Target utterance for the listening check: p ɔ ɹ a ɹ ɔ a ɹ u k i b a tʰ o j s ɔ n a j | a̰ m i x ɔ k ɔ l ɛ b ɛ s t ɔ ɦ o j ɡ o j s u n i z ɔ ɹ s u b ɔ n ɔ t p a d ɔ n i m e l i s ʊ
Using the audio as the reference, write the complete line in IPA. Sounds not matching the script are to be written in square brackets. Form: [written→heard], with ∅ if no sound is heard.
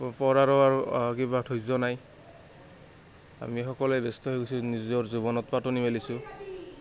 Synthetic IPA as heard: p ɔ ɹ a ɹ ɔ a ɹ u k i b a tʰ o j [s→z] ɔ n a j | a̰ m i x ɔ k ɔ l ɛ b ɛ s t ɔ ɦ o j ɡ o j s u n i z ɔ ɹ [s→z] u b ɔ n ɔ t p a [d→t] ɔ n i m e l i s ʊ